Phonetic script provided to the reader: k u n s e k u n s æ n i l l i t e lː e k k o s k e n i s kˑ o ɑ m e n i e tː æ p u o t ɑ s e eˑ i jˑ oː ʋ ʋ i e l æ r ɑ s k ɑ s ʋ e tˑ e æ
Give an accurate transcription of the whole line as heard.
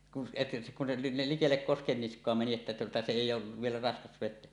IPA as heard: k u n s e k u n s e n i l l i k e lː e k k o s k e nː i s kˑ o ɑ m e n i e tː æ t u o t ɑ s e eˑ i jˑ oː ʋ ʋ i e l æ r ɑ s k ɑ s ʋ e tˑ e æ